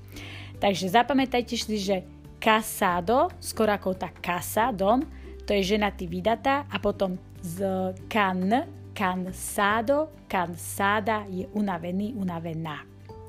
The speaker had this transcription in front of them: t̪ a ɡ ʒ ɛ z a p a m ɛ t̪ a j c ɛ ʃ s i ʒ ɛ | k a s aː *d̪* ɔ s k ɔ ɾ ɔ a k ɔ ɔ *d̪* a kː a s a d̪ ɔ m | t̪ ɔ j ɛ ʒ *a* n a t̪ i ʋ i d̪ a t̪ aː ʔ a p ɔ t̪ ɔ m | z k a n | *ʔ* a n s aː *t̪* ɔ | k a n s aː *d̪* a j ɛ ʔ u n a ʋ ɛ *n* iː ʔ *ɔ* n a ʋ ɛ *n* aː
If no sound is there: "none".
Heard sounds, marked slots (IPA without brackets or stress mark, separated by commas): d̪, t̪, ɛ, k, d̪, d̪, n, u, n